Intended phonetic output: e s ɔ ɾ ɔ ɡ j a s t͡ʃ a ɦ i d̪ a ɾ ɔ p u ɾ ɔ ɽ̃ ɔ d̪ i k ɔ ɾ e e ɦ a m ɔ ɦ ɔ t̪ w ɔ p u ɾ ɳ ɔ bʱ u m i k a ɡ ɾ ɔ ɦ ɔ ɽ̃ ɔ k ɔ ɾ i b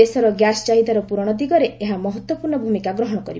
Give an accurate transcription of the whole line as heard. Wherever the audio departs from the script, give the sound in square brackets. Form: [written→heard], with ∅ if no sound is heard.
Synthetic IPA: e s ɔ ɾ ɔ ɡ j a s t͡ʃ a ɦ i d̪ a ɾ ɔ p u ɾ ɔ ɽ̃ ɔ d̪ i [k→ɡ] ɔ ɾ e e ɦ a m ɔ ɦ ɔ t̪ w ɔ p u ɾ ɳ ɔ bʱ u m i k a ɡ ɾ ɔ ɦ ɔ ɽ̃ ɔ k ɔ ɾ i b